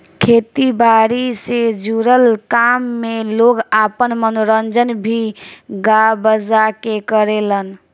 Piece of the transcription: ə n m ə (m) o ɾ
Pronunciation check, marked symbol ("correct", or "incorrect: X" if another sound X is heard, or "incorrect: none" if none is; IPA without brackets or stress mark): incorrect: n